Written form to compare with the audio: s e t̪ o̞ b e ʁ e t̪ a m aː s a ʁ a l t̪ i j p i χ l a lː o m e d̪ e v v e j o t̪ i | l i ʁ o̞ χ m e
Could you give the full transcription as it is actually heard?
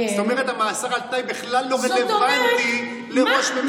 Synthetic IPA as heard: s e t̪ o̞ m e ʁ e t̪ a m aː s a ʁ a l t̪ a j b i χ l a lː o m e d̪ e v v a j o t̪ i | l e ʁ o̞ ʃ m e